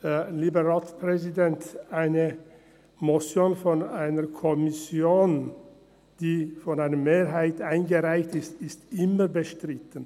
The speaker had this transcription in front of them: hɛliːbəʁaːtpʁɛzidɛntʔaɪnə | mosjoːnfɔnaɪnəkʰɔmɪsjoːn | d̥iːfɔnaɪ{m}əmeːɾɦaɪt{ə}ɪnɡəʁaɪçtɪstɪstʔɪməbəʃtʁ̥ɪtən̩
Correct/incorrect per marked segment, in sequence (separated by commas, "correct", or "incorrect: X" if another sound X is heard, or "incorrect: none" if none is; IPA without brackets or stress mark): incorrect: n, incorrect: a